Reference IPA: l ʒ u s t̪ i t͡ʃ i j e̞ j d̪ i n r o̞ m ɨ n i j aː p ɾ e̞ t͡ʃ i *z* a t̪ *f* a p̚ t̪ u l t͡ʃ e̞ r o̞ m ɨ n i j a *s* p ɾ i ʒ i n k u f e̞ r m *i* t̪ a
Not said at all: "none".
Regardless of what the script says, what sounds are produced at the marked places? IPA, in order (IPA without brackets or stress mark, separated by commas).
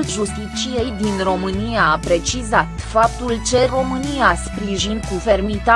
z, f, s, i